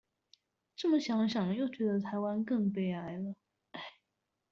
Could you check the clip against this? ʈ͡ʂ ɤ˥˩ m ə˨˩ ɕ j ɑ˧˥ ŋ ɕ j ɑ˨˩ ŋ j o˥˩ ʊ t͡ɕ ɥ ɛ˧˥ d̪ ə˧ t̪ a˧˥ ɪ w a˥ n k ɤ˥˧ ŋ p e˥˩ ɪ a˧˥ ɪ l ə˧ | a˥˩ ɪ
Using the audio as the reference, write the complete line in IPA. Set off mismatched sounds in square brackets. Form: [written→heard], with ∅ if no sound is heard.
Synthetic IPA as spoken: ʈ͡ʂ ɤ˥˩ m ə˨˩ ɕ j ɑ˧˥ ŋ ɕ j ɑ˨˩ ŋ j o˥˩ ʊ t͡ɕ ɥ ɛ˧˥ d̪ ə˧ [t̪→t̪ʰ] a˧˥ ɪ w a˥ n k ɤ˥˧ ŋ p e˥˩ ɪ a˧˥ ɪ l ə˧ | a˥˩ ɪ